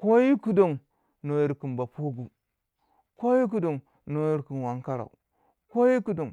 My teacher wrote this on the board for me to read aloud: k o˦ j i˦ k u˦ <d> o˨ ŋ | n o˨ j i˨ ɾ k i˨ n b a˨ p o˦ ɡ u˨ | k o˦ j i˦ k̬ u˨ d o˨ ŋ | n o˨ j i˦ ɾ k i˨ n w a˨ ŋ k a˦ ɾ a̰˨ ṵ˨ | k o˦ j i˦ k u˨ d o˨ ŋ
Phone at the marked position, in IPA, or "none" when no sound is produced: d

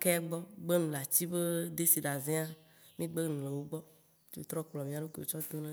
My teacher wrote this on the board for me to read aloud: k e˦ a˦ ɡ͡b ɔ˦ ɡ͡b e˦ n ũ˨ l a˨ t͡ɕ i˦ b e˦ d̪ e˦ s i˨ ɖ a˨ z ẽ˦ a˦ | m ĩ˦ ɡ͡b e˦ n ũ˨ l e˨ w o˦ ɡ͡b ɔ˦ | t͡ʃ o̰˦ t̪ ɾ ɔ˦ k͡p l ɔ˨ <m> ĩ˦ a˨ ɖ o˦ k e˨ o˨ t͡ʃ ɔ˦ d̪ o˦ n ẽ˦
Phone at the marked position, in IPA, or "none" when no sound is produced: m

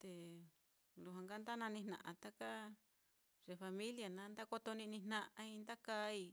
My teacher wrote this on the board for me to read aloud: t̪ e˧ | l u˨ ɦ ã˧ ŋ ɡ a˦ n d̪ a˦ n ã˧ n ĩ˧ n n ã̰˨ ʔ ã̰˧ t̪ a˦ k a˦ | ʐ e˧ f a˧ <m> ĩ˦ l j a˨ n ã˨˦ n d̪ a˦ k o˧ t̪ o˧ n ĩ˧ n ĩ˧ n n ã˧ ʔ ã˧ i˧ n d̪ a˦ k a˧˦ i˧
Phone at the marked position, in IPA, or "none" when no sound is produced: m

